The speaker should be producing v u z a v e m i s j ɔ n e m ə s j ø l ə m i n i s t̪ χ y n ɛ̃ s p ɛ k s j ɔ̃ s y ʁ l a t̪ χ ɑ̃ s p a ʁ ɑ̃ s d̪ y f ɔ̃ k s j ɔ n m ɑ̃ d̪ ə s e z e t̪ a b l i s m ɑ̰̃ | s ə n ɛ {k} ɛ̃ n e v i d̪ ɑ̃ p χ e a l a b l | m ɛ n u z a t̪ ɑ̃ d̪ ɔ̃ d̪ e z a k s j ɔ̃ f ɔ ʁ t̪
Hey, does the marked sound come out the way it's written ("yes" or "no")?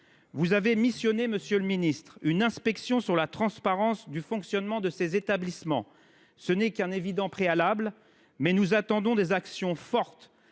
yes